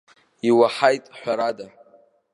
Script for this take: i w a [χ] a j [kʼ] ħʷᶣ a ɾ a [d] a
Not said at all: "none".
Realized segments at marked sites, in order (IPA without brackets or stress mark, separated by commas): ħ, tʼ, d